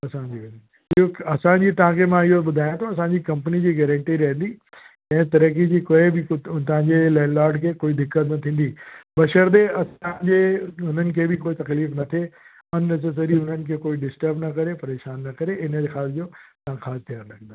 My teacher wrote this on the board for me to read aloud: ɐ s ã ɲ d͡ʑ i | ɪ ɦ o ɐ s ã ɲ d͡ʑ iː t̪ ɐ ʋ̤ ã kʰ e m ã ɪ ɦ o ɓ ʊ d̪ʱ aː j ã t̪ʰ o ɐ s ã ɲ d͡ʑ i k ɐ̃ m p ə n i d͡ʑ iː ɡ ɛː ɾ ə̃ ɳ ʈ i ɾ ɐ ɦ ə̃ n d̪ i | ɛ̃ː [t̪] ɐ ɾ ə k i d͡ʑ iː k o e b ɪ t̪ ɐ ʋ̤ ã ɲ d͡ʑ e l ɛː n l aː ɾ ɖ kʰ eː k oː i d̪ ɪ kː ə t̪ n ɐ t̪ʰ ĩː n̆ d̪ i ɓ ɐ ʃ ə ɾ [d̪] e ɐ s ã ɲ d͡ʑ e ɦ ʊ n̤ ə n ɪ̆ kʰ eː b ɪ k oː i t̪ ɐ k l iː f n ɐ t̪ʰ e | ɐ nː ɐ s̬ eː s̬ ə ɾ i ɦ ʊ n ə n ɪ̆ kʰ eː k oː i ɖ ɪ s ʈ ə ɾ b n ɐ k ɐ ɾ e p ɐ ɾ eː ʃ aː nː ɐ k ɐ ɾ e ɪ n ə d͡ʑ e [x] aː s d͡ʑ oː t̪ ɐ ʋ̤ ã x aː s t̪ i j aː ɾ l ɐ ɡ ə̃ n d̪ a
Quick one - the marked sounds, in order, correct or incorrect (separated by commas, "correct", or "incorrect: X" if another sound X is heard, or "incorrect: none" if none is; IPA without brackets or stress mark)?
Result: correct, correct, correct